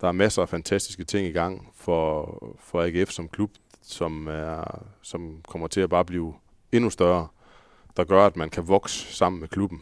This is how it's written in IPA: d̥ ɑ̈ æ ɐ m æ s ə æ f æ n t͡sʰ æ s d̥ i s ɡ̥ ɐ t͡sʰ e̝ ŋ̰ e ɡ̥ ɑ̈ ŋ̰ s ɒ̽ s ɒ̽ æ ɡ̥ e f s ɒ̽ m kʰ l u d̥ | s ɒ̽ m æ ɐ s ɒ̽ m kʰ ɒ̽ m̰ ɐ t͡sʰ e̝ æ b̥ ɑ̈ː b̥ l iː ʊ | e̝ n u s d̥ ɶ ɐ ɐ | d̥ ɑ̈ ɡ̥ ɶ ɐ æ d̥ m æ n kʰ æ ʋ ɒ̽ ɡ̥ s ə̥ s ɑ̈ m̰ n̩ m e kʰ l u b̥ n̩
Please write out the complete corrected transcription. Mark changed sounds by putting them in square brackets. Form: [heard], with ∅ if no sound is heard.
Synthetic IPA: d̥ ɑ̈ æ ɐ m æ s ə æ f æ n t͡sʰ æ s d̥ i s ɡ̥ [ə] t͡sʰ e̝ ŋ̰ [i] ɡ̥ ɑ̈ ŋ̰ [f] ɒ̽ [f] ɒ̽ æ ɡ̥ e f s ɒ̽ m kʰ l u [b̥] | s ɒ̽ m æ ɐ s ɒ̽ m kʰ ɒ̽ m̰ ɐ t͡sʰ e̝ æ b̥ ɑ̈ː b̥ l iː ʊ | e̝ n u s d̥ ɶ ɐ ɐ | d̥ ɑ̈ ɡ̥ ɶ ɐ æ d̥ m æ n kʰ æ ʋ ɒ̽ ɡ̥ s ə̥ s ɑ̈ m̰ n̩ m e kʰ l u b̥ n̩